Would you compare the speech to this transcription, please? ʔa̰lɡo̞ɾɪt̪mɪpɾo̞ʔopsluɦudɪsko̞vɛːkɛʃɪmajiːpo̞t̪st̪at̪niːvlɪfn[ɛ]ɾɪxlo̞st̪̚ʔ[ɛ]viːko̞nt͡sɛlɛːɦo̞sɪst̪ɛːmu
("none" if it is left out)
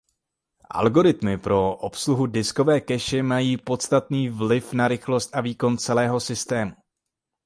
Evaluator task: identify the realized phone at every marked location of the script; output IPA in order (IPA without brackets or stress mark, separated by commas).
a, a